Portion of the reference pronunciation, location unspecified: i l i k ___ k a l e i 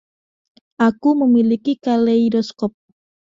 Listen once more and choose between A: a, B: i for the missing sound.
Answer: B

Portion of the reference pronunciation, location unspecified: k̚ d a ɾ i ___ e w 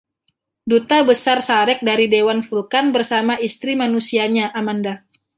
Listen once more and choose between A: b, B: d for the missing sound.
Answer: B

